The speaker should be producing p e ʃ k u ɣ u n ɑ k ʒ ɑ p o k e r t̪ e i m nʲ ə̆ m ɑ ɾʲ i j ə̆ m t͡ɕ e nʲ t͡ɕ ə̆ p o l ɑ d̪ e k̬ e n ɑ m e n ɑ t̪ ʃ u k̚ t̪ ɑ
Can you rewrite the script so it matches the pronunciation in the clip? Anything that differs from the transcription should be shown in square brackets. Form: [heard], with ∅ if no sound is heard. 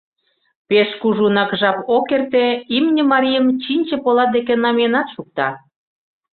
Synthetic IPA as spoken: p e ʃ k u [ʒ] u n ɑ k ʒ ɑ p o k e r t̪ e i m nʲ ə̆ m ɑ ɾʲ i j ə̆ m t͡ɕ [i] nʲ t͡ɕ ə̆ p o l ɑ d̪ e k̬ e n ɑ m e n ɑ t̪ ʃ u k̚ t̪ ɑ

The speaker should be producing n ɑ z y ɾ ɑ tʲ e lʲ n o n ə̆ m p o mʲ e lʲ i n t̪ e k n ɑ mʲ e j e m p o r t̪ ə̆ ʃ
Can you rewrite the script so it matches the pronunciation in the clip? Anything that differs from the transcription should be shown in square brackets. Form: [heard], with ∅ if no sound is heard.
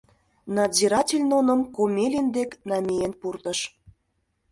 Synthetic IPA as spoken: n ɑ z [i] ɾ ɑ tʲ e lʲ n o n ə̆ m [k] o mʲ e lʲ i n [d̪] e k n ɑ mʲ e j e [n] p [u] r t̪ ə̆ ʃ

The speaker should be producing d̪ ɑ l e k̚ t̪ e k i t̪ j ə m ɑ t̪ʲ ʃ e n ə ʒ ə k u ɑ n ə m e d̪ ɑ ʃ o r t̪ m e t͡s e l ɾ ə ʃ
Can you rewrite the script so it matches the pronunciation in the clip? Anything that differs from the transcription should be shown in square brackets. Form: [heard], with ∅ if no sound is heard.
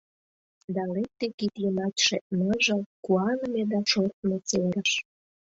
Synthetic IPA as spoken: d̪ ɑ l e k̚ t̪ e k i t̪ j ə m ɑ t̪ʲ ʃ e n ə ʒ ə k u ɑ n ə m e d̪ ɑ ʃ o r t̪ m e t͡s e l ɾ ə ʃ

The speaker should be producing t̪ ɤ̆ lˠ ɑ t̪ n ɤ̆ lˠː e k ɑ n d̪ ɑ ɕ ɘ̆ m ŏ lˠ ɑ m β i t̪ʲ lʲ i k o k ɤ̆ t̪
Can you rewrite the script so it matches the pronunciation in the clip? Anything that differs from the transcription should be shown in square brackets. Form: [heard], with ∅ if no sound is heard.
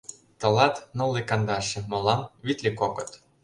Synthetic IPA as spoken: t̪ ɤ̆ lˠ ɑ t̪ n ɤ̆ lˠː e k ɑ n d̪ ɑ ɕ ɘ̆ m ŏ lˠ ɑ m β i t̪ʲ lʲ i k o k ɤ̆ t̪

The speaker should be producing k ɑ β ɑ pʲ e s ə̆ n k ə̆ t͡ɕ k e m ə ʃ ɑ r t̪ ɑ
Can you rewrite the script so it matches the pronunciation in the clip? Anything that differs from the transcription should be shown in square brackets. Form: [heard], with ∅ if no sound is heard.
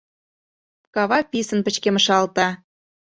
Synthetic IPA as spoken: k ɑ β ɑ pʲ [i] s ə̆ n [p] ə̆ t͡ɕ k e m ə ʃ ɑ [l] t̪ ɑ

